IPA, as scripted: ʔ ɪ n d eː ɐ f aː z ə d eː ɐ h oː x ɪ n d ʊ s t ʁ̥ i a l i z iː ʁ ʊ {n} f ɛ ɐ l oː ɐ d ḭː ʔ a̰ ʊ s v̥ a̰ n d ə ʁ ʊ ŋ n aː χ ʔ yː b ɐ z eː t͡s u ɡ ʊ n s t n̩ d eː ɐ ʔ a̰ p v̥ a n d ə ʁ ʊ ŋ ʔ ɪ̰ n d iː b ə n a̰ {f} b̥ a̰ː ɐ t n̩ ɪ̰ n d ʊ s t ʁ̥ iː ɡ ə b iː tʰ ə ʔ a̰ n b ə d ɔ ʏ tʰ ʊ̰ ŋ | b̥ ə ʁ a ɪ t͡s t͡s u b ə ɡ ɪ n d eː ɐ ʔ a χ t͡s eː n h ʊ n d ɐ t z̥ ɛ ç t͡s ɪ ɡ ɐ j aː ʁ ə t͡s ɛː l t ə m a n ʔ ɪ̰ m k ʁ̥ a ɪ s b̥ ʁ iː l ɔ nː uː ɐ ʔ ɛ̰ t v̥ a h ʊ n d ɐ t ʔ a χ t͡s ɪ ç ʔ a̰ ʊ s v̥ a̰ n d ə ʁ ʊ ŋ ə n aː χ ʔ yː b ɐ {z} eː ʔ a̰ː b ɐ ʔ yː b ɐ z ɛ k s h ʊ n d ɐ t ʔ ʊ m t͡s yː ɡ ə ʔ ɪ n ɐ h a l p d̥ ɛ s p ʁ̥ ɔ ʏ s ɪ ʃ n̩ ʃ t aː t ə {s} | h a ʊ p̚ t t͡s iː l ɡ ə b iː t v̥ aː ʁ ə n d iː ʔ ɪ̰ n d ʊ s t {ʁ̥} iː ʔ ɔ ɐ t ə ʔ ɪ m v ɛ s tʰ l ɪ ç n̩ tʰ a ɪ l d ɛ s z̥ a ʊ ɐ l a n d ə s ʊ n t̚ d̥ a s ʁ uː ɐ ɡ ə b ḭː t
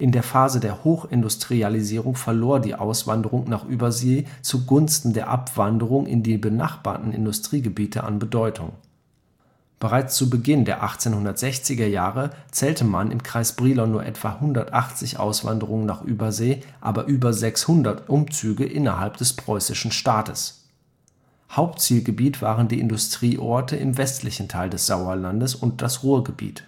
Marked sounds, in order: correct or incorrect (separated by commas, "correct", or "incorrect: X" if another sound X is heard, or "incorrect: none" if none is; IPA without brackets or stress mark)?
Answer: incorrect: ŋ, incorrect: χ, correct, correct, correct